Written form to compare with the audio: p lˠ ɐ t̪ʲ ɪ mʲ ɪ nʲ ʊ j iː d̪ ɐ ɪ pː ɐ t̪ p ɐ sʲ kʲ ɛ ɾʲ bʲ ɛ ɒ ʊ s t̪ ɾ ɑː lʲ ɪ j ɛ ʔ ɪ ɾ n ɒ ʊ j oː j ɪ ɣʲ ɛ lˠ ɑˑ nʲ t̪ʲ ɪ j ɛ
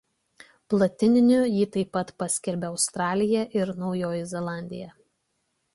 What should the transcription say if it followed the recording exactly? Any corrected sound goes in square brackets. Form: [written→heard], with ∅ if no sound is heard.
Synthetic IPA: p lˠ ɐ t̪ʲ ɪ [mʲ→nʲ] ɪ nʲ ʊ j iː [d̪→t̪] ɐ ɪ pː ɐ t̪ p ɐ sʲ kʲ ɛ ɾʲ bʲ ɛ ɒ ʊ s t̪ ɾ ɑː lʲ ɪ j ɛ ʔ ɪ ɾ n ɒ ʊ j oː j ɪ [ɣʲ→zʲ] ɛ lˠ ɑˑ nʲ [t̪ʲ→d̪ʲ] ɪ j ɛ

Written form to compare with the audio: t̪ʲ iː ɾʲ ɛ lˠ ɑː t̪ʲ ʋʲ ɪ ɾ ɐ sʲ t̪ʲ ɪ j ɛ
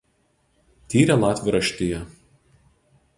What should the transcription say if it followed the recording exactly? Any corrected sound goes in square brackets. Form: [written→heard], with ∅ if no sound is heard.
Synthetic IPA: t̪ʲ iː ɾʲ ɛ lˠ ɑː t̪ʲ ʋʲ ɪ ɾ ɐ [sʲ→ʃʲ] t̪ʲ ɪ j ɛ

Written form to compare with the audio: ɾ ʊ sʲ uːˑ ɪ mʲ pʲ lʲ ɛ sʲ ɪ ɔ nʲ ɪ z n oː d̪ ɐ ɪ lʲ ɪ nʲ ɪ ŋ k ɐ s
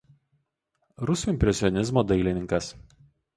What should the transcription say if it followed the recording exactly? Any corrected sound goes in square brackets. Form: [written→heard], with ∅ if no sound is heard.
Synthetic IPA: ɾ ʊ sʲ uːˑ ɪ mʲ pʲ [lʲ→ɾʲ] ɛ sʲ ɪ ɔ nʲ ɪ z [n→m] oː d̪ ɐ ɪ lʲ ɪ nʲ ɪ ŋ k ɐ s

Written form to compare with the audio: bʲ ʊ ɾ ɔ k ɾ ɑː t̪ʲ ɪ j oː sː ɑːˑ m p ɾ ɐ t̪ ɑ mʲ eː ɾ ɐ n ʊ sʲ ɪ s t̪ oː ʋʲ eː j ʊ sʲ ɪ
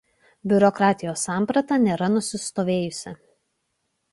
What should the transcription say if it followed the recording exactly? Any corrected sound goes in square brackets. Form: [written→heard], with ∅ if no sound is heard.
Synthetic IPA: bʲ ʊ ɾ ɔ k ɾ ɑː t̪ʲ ɪ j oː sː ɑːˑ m p ɾ ɐ t̪ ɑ [mʲ→nʲ] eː ɾ ɐ n ʊ sʲ ɪ s t̪ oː ʋʲ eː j ʊ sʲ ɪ

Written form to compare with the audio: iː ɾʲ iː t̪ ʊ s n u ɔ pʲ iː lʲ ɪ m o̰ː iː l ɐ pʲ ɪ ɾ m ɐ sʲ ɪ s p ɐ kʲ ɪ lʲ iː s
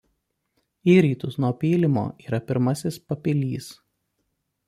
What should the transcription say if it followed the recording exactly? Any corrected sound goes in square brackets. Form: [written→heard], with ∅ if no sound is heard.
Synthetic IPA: iː ɾʲ iː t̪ ʊ s n u ɔ pʲ iː lʲ ɪ m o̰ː iː [l→ɾ] ɐ pʲ ɪ ɾ m ɐ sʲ ɪ s p ɐ [kʲ→pʲ] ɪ lʲ iː s

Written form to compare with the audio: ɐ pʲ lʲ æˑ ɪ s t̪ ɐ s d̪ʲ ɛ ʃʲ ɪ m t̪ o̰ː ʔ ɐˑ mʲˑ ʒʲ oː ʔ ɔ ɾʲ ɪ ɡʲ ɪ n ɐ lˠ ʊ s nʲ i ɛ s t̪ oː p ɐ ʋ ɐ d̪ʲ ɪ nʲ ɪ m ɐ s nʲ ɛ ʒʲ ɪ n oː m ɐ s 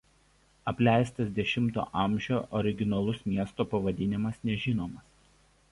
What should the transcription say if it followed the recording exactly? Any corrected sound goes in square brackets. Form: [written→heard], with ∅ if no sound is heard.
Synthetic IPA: ɐ pʲ lʲ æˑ ɪ s t̪ ɐ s d̪ʲ ɛ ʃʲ ɪ m t̪ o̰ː ʔ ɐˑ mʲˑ ʒʲ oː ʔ ɔ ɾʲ ɪ ɡʲ ɪ n ɐ lˠ ʊ s [nʲ→mʲ] i ɛ s t̪ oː p ɐ ʋ ɐ d̪ʲ ɪ nʲ ɪ m ɐ s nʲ ɛ ʒʲ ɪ n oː m ɐ s

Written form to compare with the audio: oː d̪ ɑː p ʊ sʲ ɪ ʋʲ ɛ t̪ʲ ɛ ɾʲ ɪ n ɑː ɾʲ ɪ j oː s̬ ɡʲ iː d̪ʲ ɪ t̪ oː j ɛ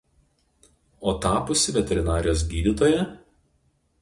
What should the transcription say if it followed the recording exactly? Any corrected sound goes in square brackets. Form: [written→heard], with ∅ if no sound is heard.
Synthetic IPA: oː [d̪→t̪] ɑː p ʊ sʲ ɪ ʋʲ ɛ t̪ʲ ɛ ɾʲ ɪ n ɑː ɾʲ ɪ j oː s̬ ɡʲ iː d̪ʲ ɪ t̪ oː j ɛ

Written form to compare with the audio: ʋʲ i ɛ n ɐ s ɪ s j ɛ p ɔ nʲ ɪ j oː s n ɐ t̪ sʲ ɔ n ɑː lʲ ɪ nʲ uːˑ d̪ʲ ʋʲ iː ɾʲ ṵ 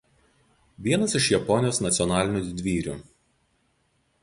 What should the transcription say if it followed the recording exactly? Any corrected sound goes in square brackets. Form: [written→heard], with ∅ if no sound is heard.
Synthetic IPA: ʋʲ i ɛ n ɐ s ɪ [s→ʃ] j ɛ p ɔ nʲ ɪ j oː s n ɐ t̪ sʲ ɔ n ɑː lʲ ɪ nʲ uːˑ d̪ʲ ʋʲ iː ɾʲ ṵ

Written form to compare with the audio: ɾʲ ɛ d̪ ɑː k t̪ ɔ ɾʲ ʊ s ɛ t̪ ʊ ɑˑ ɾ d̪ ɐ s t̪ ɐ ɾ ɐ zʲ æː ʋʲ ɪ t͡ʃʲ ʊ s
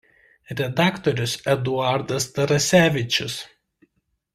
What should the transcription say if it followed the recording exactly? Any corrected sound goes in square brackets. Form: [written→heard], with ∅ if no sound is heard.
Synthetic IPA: ɾʲ ɛ d̪ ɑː k t̪ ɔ ɾʲ ʊ s ɛ [t̪→d̪] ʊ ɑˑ ɾ d̪ ɐ s t̪ ɐ ɾ ɐ [zʲ→sʲ] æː ʋʲ ɪ t͡ʃʲ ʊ s

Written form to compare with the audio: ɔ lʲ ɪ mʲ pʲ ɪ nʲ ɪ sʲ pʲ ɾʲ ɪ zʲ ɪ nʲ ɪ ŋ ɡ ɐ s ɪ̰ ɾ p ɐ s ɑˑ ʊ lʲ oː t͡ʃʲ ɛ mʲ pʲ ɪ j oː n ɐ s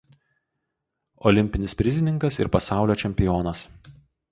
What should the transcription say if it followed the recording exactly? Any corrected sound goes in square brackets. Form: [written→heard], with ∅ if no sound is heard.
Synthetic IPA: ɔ lʲ ɪ mʲ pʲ ɪ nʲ ɪ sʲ pʲ ɾʲ ɪ zʲ ɪ nʲ ɪ ŋ [ɡ→k] ɐ s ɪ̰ ɾ p ɐ s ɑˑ ʊ lʲ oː t͡ʃʲ ɛ mʲ pʲ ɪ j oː n ɐ s

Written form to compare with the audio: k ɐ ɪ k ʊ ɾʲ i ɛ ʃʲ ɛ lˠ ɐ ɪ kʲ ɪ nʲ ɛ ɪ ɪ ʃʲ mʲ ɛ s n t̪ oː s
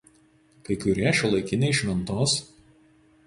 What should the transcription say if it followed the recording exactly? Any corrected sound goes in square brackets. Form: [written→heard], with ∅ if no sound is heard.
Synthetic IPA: k ɐ ɪ k ʊ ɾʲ i ɛ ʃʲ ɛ lˠ ɐ ɪ kʲ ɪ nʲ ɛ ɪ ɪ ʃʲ mʲ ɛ [s→∅] n t̪ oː s

